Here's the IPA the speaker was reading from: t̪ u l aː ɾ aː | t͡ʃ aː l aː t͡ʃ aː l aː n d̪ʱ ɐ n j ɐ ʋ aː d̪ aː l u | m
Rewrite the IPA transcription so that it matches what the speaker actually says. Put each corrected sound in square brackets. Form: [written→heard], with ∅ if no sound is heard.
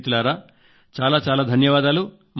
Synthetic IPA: t̪ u l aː ɾ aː | t͡ʃ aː l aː t͡ʃ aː l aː [n→∅] d̪ʱ ɐ n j ɐ ʋ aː d̪ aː l u | m